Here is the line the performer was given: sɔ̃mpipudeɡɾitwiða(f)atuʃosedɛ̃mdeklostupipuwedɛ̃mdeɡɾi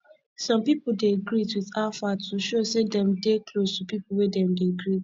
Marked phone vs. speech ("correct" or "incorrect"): correct